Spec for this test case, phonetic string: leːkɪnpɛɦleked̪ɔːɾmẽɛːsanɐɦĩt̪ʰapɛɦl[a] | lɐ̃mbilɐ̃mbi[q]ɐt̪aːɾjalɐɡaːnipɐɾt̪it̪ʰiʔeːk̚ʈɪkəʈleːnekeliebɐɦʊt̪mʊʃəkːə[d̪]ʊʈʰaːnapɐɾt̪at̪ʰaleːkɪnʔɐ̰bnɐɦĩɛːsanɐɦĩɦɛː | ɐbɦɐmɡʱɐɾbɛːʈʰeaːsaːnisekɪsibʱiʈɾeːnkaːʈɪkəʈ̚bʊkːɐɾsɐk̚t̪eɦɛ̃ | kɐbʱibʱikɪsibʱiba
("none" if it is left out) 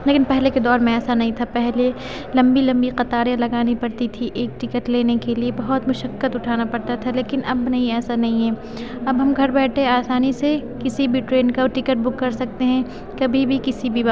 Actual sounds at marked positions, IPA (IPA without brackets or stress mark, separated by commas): e, q, t̪